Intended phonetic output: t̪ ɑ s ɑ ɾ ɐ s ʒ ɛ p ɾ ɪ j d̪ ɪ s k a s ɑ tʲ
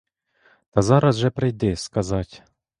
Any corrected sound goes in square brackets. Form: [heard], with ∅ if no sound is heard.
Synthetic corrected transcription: t̪ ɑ [z] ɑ ɾ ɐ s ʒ ɛ p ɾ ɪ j d̪ ɪ s k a [z] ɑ tʲ